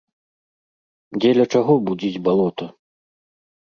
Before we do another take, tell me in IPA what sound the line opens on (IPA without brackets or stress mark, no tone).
d͡zʲ